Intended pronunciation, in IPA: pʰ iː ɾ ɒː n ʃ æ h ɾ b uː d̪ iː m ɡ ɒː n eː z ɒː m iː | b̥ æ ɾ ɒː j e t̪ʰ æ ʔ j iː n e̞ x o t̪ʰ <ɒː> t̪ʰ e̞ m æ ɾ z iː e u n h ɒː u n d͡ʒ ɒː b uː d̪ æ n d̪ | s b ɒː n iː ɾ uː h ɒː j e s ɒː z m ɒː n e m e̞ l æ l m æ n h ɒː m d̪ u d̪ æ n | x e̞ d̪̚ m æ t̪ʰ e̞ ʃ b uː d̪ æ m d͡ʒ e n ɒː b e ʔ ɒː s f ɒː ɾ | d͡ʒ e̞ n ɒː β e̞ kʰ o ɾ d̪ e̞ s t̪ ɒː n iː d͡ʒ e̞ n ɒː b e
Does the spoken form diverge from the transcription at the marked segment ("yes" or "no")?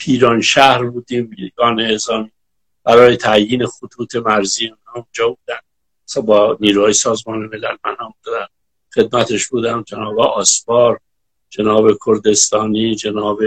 yes